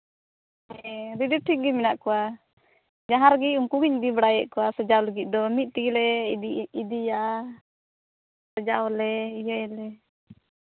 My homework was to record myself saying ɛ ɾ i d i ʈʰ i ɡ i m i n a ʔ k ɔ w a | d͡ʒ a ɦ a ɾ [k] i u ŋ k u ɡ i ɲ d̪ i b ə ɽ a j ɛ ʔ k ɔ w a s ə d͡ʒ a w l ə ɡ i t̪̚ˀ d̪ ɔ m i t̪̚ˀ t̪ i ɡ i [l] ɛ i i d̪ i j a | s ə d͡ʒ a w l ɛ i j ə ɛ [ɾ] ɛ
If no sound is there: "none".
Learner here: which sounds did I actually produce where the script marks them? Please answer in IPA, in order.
ɡ, l, l

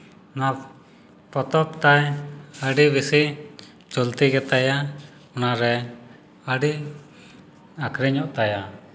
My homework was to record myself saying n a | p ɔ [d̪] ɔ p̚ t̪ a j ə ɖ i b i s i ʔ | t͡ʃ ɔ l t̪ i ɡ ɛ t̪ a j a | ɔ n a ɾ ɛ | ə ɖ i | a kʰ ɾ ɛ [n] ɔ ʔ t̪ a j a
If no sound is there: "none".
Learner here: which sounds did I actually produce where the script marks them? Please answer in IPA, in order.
t̪, ɲ

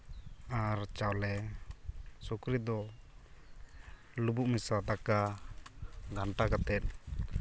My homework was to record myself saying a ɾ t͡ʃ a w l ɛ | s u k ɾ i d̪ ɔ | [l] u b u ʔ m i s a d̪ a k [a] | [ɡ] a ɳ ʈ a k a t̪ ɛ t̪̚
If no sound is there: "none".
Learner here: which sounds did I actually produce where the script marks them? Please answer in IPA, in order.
l, a, ɡ

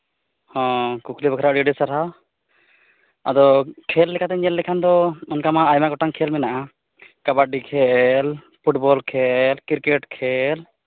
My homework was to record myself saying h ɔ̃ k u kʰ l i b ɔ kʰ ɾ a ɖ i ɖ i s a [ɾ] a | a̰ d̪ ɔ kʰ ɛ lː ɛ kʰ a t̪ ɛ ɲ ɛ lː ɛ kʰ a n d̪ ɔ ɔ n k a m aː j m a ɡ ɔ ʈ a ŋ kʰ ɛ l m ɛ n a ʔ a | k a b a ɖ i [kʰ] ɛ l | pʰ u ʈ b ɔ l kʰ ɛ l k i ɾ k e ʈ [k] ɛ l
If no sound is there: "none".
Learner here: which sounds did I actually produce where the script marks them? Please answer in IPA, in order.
ɾ, kʰ, kʰ

